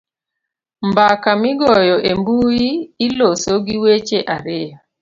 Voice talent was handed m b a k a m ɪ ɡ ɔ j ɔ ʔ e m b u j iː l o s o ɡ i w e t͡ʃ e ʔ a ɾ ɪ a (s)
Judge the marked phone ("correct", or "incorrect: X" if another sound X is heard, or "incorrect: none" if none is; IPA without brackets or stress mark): incorrect: none